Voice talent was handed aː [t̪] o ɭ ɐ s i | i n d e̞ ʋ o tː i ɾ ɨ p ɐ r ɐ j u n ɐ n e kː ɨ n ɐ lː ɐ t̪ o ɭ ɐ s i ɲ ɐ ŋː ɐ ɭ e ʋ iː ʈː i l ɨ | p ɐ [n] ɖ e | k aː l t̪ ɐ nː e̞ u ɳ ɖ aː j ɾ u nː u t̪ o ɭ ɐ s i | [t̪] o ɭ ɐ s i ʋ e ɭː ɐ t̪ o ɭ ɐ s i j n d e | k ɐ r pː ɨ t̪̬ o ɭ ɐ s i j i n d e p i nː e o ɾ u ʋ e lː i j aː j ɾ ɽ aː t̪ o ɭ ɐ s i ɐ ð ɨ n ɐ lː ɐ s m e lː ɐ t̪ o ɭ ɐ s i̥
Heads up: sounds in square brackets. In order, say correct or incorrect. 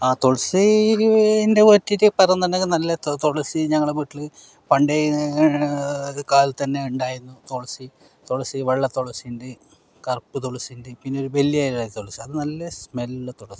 correct, incorrect: ɳ, correct

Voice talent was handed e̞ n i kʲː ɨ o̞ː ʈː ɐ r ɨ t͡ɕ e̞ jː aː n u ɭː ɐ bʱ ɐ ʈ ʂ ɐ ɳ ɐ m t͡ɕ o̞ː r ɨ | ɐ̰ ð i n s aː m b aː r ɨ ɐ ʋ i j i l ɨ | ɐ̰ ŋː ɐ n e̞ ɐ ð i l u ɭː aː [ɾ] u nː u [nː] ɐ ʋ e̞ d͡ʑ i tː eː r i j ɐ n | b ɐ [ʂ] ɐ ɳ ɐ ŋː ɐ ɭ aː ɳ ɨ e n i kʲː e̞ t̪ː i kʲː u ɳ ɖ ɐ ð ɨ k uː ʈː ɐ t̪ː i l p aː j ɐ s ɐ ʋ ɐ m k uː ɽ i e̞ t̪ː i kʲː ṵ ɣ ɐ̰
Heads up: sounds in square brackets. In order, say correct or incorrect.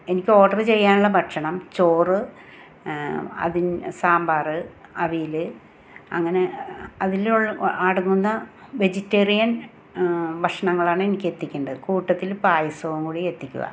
incorrect: ɽ, correct, correct

